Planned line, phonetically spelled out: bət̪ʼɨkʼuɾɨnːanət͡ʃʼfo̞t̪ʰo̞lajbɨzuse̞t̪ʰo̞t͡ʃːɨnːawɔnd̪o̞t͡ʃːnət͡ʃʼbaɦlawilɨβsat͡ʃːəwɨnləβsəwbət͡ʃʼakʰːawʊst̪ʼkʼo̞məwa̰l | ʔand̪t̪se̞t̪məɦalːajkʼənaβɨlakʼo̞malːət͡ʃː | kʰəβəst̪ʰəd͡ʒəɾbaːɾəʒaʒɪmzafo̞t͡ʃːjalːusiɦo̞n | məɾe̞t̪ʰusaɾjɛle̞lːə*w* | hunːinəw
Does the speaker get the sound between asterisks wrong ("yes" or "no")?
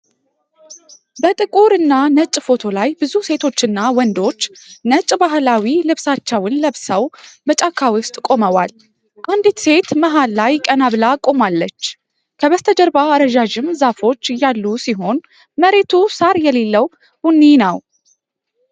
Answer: no